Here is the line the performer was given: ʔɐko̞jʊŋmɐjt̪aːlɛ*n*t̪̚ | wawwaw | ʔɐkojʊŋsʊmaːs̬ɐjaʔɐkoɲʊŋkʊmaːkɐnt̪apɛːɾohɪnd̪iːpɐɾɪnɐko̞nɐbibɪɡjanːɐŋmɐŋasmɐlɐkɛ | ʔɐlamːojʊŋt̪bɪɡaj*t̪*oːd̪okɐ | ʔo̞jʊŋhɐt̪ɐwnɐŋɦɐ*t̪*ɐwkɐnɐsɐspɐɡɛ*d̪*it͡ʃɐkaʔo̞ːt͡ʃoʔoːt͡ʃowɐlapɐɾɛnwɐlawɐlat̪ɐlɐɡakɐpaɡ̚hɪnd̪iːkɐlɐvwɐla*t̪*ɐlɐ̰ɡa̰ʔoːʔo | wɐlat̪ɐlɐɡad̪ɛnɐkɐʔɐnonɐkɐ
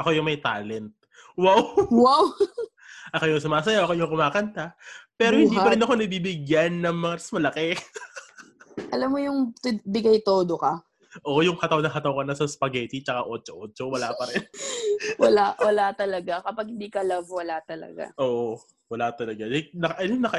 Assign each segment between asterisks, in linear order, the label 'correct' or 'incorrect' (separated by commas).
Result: correct, correct, correct, incorrect, correct